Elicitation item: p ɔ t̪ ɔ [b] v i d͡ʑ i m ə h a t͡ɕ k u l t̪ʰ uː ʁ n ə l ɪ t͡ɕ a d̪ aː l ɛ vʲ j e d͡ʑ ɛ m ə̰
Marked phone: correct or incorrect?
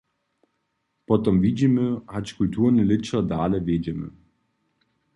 incorrect